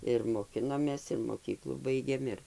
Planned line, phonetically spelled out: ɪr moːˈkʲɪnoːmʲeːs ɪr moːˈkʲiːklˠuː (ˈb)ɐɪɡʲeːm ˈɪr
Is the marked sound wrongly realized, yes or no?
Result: no